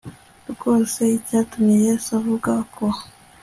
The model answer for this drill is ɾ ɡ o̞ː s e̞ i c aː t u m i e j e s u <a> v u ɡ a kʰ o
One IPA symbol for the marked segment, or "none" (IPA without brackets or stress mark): a